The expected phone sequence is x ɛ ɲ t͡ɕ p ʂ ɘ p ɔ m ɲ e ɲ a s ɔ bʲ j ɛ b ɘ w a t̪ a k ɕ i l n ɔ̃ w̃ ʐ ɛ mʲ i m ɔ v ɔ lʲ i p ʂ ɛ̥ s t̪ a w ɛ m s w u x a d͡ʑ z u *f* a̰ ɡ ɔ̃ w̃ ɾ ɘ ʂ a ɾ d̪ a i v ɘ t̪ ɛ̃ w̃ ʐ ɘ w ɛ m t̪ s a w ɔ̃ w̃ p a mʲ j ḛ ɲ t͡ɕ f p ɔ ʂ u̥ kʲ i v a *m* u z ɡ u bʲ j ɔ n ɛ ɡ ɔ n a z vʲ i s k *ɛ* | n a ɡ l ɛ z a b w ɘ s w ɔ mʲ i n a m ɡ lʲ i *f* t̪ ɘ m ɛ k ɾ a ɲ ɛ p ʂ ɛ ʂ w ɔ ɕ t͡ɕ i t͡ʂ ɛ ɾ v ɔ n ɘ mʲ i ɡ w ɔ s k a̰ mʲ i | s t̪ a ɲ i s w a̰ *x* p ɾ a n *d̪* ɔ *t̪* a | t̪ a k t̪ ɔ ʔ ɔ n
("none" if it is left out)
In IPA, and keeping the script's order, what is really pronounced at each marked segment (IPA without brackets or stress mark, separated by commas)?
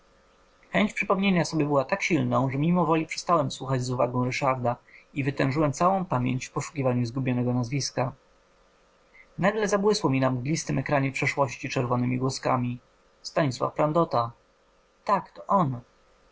v, ɲ, a, s, f, d̪, t̪